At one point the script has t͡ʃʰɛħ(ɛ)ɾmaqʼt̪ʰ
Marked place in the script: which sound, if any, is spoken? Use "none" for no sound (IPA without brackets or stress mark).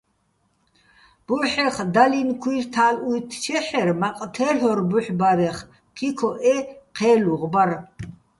ɛ